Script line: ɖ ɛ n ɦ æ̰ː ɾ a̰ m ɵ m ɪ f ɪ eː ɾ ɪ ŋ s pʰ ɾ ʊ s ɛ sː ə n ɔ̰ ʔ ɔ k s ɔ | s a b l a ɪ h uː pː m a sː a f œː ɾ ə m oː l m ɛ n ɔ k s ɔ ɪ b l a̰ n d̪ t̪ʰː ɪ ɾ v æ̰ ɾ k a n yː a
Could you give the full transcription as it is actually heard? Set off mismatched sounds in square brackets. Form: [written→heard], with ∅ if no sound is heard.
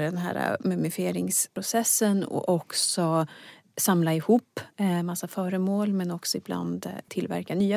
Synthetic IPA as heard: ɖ ɛ n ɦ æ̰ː ɾ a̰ m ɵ m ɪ f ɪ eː ɾ ɪ ŋ s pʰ ɾ ʊ s ɛ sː ə n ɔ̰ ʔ ɔ k s ɔ | s a [b→m] l a ɪ h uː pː m a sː a f œː ɾ ə m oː l m ɛ n ɔ k s ɔ ɪ b l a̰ n d̪ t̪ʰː ɪ [ɾ→l] v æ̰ ɾ k a n yː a